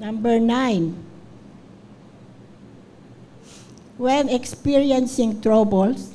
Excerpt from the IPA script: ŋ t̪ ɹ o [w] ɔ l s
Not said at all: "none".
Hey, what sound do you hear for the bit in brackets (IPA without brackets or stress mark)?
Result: b